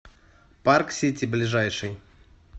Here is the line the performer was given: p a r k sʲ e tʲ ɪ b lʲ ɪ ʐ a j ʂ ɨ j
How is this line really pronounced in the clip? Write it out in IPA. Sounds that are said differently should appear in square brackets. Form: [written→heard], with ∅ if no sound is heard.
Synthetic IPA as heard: p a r k sʲ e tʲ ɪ b lʲ ɪ ʐ a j ʂ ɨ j

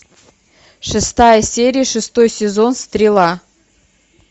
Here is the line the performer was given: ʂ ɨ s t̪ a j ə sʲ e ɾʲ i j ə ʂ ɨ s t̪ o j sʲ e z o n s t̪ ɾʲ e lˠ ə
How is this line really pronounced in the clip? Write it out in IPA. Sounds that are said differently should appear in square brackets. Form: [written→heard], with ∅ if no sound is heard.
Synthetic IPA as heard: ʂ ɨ s t̪ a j ə sʲ e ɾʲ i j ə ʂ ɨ s t̪ o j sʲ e z o n s t̪ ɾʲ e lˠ [ə→ɑ]

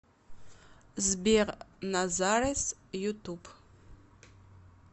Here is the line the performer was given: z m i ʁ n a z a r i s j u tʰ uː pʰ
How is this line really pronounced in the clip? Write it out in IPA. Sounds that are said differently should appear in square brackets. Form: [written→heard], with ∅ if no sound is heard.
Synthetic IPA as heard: z [m→b] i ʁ n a z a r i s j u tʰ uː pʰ

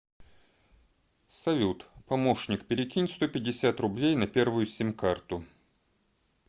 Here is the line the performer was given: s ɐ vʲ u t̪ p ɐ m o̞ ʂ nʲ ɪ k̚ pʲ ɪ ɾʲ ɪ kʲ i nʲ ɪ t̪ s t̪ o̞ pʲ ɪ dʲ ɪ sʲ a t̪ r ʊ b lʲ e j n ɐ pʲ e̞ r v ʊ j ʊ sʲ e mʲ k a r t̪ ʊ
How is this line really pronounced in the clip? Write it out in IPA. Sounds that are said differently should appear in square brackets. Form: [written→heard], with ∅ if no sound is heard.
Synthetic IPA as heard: s ɐ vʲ u t̪ p ɐ m o̞ ʂ nʲ ɪ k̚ pʲ ɪ ɾʲ ɪ kʲ i nʲ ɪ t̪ s t̪ o̞ pʲ ɪ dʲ ɪ sʲ a t̪ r ʊ b lʲ e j n ɐ pʲ e̞ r v ʊ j ʊ sʲ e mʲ k a r t̪ ʊ

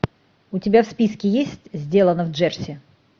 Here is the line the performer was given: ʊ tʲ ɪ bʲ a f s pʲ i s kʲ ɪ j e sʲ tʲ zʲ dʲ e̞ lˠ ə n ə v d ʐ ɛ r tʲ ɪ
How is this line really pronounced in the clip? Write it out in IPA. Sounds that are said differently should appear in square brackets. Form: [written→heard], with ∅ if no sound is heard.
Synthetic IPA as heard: ʊ tʲ ɪ bʲ a f s pʲ i s kʲ ɪ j e sʲ tʲ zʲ dʲ e̞ lˠ ə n ə v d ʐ ɛ r [tʲ→sʲ] ɪ

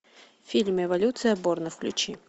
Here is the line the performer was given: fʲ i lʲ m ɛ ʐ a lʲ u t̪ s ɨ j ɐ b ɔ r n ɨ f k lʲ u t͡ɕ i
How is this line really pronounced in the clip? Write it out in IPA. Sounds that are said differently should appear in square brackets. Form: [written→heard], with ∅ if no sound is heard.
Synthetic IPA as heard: fʲ i lʲ m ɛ [ʐ→v] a lʲ u t̪ s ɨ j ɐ b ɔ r n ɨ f k lʲ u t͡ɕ i

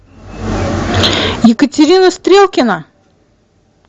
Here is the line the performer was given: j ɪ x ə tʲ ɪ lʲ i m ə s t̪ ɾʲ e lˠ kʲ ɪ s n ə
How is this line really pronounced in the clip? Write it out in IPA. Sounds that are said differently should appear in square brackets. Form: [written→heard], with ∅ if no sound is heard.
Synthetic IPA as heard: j ɪ [x→k] ə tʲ ɪ [lʲ→ɾʲ] i [m→n] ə s t̪ ɾʲ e lˠ kʲ ɪ [s→∅] n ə

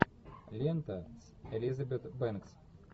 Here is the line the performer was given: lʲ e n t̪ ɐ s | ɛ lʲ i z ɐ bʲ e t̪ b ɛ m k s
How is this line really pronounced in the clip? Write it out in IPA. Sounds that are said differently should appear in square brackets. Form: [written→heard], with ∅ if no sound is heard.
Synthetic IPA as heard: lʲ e n t̪ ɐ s | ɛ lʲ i z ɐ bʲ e t̪ b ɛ [m→n] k s

